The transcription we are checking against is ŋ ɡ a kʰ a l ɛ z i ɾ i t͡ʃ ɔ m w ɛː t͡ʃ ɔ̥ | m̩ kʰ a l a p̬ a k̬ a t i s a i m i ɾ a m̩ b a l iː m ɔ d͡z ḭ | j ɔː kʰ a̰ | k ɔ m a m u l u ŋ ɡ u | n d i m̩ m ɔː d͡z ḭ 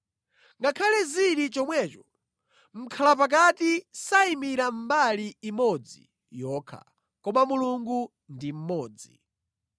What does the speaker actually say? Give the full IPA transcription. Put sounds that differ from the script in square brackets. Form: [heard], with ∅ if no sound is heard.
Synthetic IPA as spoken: ŋ ɡ a kʰ a l ɛ z i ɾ i t͡ʃ ɔ m w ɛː t͡ʃ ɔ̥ | m̩ kʰ a l a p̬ a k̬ a t i s a i m i ɾ a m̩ b a l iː m ɔ d͡z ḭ | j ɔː kʰ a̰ | k ɔ m a m u l u ŋ ɡ u | n d i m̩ m ɔː d͡z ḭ

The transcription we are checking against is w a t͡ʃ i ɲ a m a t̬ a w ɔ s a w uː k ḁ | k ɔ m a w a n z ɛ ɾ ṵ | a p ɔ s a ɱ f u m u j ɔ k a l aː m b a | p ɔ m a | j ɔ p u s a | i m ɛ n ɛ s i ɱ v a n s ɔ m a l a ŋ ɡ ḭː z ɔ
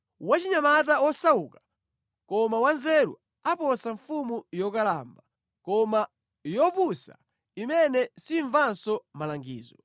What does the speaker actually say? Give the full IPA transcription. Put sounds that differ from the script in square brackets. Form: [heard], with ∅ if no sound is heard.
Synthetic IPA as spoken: w a t͡ʃ i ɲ a m a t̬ a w ɔ s a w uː k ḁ | k ɔ m a w a n z ɛ ɾ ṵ | a p ɔ s a ɱ f u m u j ɔ k a l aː m b a | [k] ɔ m a | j ɔ p u s a | i m ɛ n ɛ s i ɱ v a n s ɔ m a l a ŋ ɡ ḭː z ɔ

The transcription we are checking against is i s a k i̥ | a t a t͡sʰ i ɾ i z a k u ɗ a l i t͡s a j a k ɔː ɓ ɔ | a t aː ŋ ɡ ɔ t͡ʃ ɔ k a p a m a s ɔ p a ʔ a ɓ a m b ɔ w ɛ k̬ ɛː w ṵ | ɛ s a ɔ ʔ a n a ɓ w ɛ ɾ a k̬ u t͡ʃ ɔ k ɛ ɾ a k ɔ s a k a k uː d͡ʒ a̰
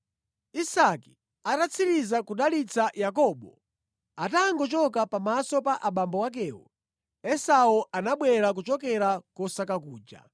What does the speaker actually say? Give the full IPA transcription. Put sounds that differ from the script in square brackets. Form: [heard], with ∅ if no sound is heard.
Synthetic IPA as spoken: i s a k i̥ | a t a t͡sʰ i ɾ i z a k u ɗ a l i t͡s a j a k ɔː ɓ ɔ | a t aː ŋ ɡ ɔ t͡ʃ ɔ k a p a m a s ɔ p a ʔ a ɓ a m b ɔ w [a] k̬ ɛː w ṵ | ɛ s a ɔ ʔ a n a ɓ w ɛ ɾ a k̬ u t͡ʃ ɔ k ɛ ɾ a k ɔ s a k a k uː d͡ʒ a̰

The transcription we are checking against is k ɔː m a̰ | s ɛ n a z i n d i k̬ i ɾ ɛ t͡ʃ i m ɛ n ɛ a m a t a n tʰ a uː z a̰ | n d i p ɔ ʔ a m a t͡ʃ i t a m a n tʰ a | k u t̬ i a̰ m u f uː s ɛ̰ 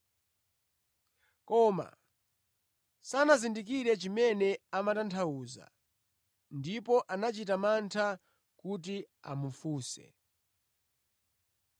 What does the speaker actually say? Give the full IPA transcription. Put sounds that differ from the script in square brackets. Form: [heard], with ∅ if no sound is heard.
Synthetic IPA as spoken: k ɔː m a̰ | s [a] n a z i n d i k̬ i ɾ ɛ t͡ʃ i m ɛ n ɛ a m a t a n tʰ a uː z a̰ | n d i p ɔ ʔ a [n] a t͡ʃ i t a m a n tʰ a | k u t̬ i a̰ m u f uː s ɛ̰

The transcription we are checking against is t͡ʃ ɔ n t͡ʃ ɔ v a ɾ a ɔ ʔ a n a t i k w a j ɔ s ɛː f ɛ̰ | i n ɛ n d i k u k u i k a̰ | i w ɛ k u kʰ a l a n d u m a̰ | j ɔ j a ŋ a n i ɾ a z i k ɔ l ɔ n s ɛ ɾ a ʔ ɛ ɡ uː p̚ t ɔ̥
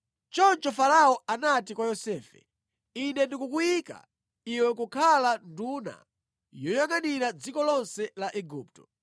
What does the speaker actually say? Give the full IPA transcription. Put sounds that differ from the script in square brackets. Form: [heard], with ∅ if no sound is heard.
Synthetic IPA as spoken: t͡ʃ ɔ n t͡ʃ ɔ [f] a ɾ a ɔ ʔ a n a t i k w a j ɔ s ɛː f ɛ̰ | i n ɛ n d i k u k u i k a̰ | i w ɛ k u kʰ a l a n d u [n] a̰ | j ɔ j a ŋ a n i ɾ a [d͡z] i k ɔ l ɔ n s ɛ [l] a ʔ ɛ ɡ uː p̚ t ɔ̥

